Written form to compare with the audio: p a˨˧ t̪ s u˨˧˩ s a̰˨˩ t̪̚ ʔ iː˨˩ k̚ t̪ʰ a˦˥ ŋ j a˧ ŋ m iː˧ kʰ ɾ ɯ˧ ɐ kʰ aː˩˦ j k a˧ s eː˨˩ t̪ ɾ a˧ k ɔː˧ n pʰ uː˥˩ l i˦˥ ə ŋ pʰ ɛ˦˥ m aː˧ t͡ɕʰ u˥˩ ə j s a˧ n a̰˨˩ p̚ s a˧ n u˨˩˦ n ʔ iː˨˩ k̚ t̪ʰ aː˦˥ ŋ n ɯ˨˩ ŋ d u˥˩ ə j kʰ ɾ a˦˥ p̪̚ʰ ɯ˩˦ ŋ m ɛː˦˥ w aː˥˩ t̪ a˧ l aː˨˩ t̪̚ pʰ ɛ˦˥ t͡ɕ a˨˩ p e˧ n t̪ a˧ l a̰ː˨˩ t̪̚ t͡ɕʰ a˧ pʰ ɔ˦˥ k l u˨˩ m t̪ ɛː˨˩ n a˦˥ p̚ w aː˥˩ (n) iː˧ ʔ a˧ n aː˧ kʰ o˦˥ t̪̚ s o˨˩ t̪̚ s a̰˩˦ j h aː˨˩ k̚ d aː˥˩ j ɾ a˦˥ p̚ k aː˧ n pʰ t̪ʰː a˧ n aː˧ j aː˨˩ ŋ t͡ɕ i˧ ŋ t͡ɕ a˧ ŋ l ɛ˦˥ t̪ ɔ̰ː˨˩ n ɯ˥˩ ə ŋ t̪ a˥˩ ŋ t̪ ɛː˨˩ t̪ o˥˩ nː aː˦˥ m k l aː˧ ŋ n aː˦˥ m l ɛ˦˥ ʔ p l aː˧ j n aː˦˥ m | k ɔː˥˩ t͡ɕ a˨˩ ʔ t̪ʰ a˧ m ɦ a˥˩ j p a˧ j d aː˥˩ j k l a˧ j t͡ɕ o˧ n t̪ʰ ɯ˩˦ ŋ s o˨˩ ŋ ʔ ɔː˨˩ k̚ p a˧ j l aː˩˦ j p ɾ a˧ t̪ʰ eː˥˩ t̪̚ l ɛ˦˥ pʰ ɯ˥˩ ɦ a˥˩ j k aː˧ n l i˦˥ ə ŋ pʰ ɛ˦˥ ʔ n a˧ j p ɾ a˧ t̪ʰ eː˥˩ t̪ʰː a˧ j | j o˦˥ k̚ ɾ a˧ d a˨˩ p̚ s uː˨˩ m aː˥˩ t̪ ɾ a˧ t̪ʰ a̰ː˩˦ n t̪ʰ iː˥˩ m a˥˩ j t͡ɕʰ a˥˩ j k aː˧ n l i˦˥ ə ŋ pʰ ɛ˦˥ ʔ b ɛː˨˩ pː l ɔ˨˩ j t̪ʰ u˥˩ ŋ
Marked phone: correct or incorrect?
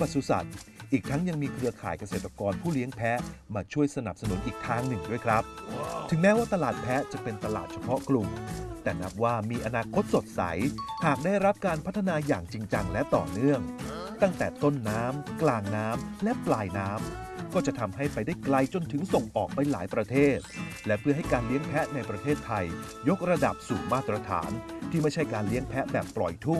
incorrect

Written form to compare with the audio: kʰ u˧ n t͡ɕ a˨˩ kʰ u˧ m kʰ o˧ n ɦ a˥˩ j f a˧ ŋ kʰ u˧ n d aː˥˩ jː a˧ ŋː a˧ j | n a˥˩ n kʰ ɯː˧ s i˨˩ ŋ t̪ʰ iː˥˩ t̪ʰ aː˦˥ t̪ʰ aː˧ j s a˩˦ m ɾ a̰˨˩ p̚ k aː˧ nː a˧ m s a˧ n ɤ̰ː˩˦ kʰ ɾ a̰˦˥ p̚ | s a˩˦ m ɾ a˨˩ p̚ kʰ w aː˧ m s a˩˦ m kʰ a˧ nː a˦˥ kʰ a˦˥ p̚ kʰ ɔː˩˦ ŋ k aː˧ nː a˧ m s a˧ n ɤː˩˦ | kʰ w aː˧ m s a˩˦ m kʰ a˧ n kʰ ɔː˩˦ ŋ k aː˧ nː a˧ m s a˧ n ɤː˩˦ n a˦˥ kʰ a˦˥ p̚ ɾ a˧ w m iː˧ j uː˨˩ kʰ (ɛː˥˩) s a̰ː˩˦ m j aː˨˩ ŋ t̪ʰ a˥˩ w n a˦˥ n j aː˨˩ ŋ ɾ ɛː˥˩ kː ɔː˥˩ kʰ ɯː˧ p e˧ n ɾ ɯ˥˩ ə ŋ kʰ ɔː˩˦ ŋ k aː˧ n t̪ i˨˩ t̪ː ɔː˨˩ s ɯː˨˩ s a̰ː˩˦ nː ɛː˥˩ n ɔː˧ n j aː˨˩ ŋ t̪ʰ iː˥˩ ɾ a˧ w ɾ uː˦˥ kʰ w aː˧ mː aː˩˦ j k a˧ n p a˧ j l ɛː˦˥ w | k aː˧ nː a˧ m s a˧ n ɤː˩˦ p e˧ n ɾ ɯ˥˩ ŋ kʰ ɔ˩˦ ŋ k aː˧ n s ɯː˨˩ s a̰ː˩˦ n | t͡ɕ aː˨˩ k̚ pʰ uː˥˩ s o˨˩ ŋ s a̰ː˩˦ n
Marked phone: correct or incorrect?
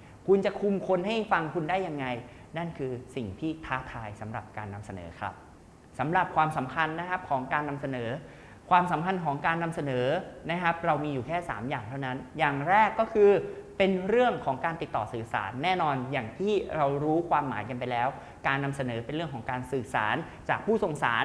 correct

